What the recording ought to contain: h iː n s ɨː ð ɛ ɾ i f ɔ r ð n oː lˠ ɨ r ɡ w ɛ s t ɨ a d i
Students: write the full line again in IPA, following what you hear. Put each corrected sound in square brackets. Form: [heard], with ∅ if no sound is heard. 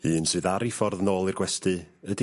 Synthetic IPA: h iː n s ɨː ð [a] ɾ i f ɔ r ð n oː lˠ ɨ r ɡ w ɛ s t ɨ [ə] d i